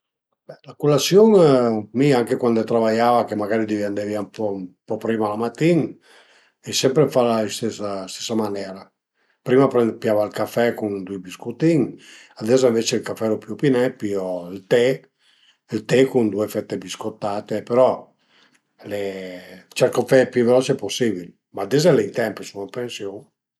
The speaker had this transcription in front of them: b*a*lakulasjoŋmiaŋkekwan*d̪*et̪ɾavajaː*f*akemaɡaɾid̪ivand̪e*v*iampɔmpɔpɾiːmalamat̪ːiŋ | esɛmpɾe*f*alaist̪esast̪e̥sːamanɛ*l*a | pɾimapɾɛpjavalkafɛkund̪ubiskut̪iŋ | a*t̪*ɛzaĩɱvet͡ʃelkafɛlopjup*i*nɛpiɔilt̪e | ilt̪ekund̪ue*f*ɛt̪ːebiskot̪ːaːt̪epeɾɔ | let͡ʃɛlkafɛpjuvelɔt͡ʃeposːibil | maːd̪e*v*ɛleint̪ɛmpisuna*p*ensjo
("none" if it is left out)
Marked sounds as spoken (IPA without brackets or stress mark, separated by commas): ɛ, d̪, v, v, f, ɾ, d̪, i, f, z, p